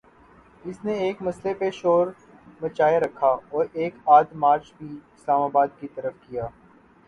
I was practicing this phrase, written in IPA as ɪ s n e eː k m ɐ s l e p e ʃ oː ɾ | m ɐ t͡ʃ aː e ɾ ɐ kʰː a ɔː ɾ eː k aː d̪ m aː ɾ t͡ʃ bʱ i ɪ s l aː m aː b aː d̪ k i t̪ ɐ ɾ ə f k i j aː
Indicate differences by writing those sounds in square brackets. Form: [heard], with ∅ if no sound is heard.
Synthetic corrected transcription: ɪ s n e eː k m ɐ s l e p e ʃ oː ɾ | m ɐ t͡ʃ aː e ɾ ɐ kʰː a ɔː ɾ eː k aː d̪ m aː ɾ t͡ʃ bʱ i ɪ s l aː m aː b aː d̪ k i t̪ ɐ ɾ ə f k i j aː